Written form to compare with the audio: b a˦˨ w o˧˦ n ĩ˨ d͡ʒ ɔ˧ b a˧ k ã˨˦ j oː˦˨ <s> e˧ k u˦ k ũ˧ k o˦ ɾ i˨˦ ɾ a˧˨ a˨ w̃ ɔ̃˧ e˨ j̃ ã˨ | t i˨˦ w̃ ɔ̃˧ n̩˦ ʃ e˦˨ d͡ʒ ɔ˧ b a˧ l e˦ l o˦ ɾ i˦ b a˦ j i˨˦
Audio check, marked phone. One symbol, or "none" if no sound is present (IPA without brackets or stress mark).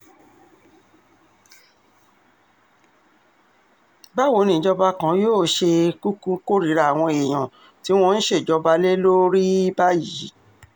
ʃ